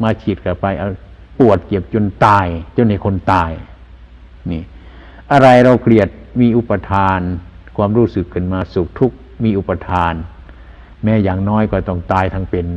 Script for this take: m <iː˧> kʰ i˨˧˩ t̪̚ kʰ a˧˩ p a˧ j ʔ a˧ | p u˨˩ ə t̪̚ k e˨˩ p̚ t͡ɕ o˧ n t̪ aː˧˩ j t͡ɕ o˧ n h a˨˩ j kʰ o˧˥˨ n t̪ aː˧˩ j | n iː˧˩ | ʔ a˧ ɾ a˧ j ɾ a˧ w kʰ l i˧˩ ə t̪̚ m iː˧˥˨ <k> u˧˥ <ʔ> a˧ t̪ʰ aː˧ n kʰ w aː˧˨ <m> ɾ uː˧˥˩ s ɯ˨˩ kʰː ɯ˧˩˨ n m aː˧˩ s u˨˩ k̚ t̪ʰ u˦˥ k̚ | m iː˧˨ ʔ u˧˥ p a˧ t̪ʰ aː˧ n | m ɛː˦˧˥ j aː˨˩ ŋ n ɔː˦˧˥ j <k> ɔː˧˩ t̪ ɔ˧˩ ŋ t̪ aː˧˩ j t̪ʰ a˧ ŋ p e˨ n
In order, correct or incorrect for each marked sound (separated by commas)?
incorrect, incorrect, incorrect, correct, correct